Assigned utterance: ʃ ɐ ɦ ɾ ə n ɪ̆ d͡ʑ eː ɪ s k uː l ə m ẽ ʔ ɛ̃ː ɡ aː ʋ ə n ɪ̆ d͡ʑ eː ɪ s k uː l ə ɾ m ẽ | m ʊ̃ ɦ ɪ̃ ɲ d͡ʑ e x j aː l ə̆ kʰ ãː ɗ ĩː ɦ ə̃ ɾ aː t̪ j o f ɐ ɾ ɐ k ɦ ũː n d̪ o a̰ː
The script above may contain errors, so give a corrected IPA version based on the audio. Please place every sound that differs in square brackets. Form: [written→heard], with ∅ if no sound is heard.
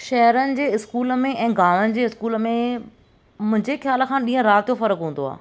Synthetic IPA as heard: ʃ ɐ ɦ ɾ ə n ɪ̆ d͡ʑ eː ɪ s k uː l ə m ẽ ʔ ɛ̃ː ɡ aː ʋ ə n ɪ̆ d͡ʑ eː ɪ s k uː l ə [ɾ→∅] m ẽ | m ʊ̃ ɦ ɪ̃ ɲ d͡ʑ e x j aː l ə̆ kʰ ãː ɗ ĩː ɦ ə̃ ɾ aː t̪ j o f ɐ ɾ [ɐ→ə] k ɦ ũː n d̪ o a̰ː